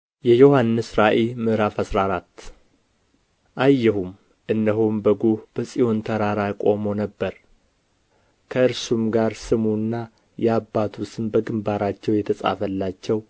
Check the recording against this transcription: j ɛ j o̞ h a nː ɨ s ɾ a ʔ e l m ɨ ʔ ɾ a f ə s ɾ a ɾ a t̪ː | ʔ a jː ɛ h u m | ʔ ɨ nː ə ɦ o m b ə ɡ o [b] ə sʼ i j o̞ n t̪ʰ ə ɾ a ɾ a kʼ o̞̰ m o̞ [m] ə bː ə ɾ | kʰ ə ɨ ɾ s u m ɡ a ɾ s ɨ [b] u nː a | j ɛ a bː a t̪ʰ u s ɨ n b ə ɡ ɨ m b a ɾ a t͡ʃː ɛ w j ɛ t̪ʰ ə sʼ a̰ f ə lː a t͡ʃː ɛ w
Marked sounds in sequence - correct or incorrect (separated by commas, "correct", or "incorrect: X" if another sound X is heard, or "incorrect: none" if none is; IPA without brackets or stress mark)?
correct, incorrect: n, incorrect: m